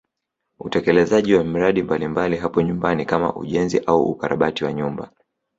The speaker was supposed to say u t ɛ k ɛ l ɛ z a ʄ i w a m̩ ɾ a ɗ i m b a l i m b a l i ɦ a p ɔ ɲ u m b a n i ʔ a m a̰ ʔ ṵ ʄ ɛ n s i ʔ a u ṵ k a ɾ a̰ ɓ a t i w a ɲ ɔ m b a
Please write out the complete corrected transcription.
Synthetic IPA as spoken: u t ɛ k ɛ l ɛ z a ʄ i w a m̩ ɾ a ɗ i m b a l i m b a l i ɦ a p ɔ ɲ u m b a n i k a m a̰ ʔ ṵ ʄ ɛ n z i ʔ a u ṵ k a ɾ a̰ ɓ a t i w a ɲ u m b a